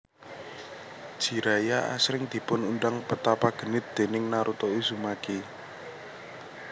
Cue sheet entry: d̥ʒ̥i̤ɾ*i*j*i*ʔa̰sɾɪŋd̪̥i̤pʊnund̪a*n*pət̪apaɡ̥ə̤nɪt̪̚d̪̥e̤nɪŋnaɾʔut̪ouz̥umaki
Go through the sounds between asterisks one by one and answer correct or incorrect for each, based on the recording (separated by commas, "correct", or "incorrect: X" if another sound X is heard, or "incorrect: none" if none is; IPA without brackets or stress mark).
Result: incorrect: a, incorrect: a, incorrect: ŋ